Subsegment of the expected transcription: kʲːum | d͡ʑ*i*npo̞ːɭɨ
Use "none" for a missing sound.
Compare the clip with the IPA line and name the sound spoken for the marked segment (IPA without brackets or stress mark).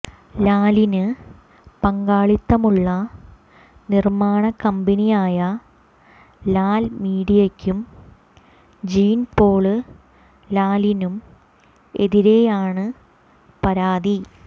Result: iː